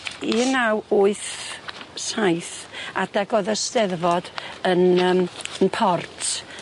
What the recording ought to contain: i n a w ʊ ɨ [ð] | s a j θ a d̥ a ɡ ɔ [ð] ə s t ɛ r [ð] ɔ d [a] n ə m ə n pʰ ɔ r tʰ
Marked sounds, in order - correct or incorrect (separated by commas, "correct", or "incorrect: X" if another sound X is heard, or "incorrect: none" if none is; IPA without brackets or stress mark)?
incorrect: θ, correct, incorrect: v, incorrect: ə